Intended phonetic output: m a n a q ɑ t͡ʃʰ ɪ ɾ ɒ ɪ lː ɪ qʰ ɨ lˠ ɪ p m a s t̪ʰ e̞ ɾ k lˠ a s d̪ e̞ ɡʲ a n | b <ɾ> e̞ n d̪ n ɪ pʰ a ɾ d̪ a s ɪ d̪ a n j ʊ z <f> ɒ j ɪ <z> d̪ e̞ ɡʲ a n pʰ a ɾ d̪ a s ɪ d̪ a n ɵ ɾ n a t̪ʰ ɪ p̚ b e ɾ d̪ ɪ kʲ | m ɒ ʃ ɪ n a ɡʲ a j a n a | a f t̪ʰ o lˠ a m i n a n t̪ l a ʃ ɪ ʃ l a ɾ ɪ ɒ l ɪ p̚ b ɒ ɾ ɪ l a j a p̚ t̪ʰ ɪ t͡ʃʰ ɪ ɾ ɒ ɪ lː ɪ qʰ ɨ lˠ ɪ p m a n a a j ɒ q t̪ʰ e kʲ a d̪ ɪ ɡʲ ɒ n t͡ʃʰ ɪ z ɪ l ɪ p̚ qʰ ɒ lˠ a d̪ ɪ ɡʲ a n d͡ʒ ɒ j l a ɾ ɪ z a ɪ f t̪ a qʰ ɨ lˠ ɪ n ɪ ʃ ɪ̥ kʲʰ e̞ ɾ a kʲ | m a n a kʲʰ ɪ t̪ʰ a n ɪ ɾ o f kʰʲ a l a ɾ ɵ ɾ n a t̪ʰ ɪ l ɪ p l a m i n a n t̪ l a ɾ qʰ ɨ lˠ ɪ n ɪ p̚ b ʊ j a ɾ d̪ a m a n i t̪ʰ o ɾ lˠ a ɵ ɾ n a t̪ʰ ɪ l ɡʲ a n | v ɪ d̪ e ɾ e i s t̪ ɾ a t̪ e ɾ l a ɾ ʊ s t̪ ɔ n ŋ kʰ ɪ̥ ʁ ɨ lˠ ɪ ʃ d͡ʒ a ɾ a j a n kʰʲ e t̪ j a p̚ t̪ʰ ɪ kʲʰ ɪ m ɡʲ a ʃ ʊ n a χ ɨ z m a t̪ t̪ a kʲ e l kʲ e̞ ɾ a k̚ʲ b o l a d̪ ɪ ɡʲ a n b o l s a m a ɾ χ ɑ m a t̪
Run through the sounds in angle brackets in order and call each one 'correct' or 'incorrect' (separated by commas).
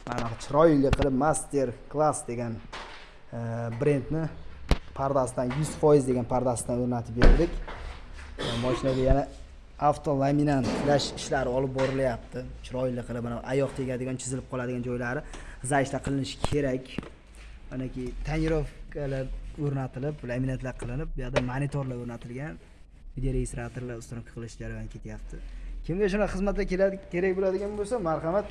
correct, correct, correct